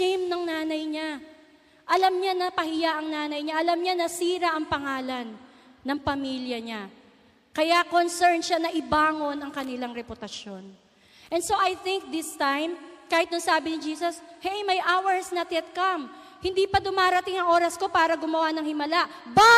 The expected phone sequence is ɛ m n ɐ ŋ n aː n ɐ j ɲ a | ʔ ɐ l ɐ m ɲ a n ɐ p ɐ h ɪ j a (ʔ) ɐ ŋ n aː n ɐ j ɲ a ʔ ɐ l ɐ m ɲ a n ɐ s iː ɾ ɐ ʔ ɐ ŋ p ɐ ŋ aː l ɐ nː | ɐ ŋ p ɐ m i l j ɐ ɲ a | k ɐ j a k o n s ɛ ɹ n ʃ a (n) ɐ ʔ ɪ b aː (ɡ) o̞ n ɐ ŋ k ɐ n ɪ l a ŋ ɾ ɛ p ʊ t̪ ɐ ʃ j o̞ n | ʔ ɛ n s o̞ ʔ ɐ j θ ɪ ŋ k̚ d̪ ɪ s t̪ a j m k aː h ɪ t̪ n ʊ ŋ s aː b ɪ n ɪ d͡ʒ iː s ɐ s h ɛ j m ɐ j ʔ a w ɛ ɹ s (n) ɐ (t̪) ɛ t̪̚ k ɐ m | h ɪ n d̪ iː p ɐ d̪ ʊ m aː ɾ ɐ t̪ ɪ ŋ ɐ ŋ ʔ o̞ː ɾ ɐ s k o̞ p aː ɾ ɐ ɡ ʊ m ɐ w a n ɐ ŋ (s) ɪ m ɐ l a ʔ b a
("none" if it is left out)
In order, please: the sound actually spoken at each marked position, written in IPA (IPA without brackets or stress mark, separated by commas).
ʔ, n, ŋ, n, t̪, h